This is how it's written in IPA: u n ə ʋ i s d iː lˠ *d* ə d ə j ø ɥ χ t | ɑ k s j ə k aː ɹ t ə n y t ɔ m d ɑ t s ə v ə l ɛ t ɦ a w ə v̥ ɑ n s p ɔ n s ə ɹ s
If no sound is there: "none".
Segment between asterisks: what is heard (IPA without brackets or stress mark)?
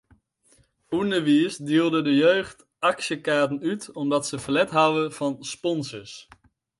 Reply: d